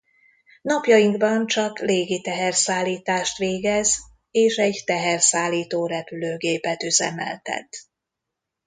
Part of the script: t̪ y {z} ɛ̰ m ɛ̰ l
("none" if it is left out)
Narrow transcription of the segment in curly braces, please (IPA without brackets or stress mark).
z